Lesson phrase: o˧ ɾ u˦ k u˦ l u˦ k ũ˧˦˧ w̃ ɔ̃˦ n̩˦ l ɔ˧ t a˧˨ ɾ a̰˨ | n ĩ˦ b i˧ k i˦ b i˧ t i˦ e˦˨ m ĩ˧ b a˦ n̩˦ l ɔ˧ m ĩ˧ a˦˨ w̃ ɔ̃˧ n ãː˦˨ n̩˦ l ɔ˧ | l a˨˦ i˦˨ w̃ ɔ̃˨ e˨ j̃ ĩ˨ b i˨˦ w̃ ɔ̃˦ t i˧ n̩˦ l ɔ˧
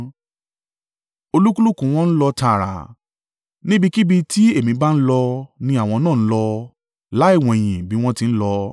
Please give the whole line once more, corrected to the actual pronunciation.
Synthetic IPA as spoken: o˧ l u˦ k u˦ l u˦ k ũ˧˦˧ w̃ ɔ̃˦ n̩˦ l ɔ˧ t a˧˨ ɾ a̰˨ | n ĩ˦ b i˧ k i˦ b i˧ t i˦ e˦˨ m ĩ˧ b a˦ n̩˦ l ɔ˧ n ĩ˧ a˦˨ w̃ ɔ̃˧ n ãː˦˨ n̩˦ l ɔ˧ | l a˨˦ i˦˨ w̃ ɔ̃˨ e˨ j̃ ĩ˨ b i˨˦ w̃ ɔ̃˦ t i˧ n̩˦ l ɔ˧